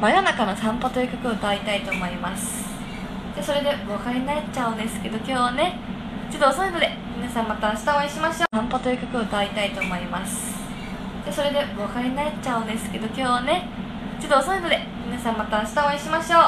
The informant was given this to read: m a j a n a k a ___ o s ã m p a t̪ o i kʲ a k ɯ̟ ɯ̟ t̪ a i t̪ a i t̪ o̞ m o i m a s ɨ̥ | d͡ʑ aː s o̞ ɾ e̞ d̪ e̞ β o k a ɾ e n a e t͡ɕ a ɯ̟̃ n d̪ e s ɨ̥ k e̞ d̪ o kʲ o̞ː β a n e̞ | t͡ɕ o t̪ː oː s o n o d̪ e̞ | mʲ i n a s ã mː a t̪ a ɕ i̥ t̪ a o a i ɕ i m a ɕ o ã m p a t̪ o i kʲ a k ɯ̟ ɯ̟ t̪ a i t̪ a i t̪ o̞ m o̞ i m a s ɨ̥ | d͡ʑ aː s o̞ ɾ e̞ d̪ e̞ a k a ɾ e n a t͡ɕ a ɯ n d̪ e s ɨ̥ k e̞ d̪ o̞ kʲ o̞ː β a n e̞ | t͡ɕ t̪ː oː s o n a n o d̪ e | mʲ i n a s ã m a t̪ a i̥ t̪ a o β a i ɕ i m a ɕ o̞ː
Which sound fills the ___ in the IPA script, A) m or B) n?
B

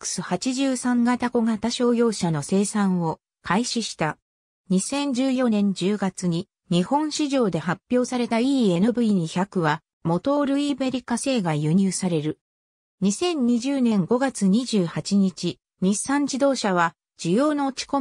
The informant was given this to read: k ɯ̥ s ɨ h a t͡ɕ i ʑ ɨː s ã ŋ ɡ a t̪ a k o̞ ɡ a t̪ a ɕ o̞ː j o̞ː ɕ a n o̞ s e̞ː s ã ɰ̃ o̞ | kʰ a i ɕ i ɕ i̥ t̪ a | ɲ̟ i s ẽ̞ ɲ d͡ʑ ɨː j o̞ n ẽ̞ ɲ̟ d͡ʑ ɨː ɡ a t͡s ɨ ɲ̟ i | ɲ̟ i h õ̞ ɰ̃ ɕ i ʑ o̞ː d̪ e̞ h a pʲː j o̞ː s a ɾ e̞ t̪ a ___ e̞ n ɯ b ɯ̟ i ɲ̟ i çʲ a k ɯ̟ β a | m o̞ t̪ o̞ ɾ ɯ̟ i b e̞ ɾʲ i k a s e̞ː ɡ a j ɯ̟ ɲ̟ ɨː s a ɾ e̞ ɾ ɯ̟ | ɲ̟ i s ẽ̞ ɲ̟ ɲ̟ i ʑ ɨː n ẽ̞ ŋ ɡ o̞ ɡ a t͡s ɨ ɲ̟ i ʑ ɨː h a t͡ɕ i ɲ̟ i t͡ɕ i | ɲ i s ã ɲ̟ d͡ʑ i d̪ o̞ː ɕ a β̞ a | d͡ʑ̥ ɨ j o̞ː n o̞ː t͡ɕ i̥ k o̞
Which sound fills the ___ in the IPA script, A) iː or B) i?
A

